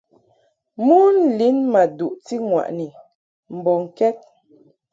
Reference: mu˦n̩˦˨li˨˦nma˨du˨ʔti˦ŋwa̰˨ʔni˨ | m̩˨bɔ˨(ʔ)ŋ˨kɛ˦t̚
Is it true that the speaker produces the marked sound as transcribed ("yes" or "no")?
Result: no